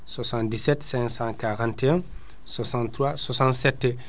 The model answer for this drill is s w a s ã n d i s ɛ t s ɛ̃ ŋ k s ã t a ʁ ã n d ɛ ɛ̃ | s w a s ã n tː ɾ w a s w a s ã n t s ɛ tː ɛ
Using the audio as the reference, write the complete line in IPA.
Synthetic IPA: s w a s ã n d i s ɛ t s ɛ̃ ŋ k s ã k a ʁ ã n t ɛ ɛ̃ | s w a s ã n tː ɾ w a s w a s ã n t s ɛ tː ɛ